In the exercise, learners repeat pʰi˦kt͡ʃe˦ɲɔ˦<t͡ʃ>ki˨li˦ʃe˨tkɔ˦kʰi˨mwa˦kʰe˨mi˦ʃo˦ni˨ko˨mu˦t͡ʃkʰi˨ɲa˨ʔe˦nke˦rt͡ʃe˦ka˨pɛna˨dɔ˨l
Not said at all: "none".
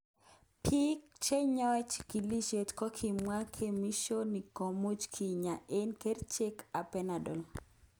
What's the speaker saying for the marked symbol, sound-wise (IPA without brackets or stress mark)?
t͡ʃ